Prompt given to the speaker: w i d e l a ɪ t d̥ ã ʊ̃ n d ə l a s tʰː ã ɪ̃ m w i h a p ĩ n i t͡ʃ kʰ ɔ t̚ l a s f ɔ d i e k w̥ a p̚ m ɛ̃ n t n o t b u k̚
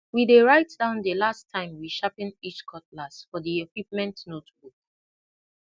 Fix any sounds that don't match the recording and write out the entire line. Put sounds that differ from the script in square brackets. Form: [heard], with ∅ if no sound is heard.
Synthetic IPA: w i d e [ɹ] a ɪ t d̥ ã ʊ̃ n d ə l a s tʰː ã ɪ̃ m w i [ʃ] a p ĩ n i t͡ʃ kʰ ɔ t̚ l a s f ɔ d i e k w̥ [i] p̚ m ɛ̃ n t n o t b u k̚